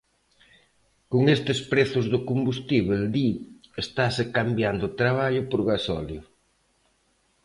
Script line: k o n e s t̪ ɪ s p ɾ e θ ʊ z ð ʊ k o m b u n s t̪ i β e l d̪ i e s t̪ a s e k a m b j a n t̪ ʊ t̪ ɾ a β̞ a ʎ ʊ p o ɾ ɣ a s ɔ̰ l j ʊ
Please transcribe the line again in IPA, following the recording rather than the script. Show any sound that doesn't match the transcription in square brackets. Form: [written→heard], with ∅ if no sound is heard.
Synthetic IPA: k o [n→ŋ] e s t̪ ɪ s p ɾ e θ ʊ z ð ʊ k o m b u [n→∅] s t̪ i β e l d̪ i e s t̪ a s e k a m b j a n [t̪→d̪] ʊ t̪ ɾ a β̞ a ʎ ʊ p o ɾ ɣ a s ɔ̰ l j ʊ